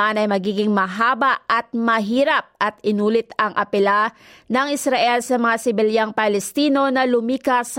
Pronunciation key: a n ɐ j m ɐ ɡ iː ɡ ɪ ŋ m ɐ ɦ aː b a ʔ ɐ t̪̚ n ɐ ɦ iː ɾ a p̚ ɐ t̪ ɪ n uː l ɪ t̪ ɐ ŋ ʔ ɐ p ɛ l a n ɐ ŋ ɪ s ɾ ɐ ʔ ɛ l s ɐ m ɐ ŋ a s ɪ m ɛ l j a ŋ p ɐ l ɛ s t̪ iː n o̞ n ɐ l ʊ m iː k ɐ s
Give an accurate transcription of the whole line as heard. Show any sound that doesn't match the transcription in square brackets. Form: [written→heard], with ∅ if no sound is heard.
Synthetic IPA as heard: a n ɐ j m ɐ ɡ iː ɡ ɪ ŋ m ɐ ɦ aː b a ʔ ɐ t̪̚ [n→m] ɐ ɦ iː ɾ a p̚ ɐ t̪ ɪ n uː l ɪ t̪ ɐ ŋ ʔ ɐ p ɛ l a n ɐ ŋ ɪ s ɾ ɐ ʔ ɛ l s ɐ m ɐ ŋ a s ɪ [m→b] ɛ l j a ŋ p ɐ l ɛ s t̪ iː n o̞ n ɐ l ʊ m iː k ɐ s